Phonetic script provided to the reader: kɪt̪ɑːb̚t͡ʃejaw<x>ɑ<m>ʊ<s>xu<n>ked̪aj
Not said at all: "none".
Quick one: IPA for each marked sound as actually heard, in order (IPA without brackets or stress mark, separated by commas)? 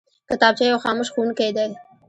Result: x, m, ʃ, n